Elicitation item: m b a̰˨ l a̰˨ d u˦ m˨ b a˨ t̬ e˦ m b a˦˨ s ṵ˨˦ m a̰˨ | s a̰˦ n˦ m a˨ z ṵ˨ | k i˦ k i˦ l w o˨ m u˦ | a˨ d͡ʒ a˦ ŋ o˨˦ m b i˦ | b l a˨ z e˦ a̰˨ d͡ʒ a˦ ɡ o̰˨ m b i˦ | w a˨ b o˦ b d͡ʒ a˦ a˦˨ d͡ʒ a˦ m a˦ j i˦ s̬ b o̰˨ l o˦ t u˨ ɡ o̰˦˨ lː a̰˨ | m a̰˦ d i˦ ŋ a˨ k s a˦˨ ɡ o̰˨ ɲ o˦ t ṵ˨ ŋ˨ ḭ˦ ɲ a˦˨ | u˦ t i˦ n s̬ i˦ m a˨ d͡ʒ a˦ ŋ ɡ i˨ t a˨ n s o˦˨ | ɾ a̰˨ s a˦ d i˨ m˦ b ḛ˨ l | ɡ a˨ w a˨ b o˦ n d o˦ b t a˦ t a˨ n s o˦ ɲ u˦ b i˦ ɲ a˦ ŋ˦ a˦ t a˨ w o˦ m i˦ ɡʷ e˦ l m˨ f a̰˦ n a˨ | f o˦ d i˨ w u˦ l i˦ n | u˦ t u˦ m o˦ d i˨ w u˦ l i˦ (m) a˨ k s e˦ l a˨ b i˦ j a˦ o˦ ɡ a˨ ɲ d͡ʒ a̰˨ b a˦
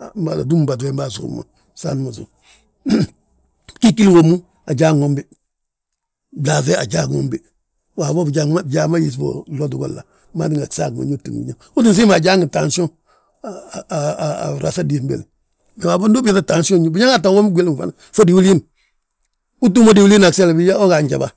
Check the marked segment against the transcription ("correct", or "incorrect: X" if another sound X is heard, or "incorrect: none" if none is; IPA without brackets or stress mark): incorrect: n